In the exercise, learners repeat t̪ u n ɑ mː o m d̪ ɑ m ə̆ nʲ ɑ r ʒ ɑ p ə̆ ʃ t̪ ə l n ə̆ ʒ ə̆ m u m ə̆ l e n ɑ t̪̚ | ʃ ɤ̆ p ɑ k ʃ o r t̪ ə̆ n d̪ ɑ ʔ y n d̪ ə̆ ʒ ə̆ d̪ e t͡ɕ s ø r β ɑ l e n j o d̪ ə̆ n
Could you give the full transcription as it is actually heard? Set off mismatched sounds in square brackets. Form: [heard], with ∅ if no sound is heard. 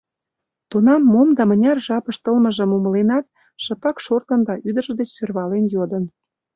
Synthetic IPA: t̪ u n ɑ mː o m d̪ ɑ m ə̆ nʲ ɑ r ʒ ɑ p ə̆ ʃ t̪ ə l [m] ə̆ ʒ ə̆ m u m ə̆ l e n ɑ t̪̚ | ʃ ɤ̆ p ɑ k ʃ o r t̪ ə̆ n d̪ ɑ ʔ y [∅] d̪ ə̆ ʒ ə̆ d̪ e t͡ɕ s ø r β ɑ l e n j o d̪ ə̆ n